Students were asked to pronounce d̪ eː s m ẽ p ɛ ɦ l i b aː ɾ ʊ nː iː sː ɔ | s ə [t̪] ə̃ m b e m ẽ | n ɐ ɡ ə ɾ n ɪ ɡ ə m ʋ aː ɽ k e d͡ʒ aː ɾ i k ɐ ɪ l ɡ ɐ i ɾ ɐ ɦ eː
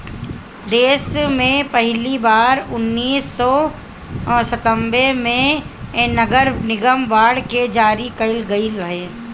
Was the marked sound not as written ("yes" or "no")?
no